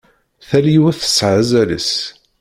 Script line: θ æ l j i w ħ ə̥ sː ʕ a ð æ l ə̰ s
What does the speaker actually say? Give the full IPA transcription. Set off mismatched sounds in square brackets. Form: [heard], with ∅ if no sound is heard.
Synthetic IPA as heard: θ æ l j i w [θ] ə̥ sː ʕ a [z] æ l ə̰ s

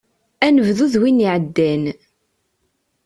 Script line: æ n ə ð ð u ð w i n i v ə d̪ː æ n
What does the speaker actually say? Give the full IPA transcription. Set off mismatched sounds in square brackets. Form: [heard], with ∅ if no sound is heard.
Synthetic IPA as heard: æ n ə [v] ð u ð w i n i [ʕ] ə d̪ː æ n

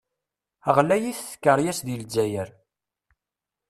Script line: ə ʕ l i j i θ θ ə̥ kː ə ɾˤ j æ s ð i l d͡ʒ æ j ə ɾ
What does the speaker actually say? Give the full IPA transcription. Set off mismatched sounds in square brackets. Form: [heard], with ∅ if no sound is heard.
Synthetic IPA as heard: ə [ʁ] l [æ] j i θ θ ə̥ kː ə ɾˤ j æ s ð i l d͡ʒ æ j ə ɾ

